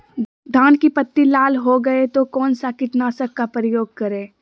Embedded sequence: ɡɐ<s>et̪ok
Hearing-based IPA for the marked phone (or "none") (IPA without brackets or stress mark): none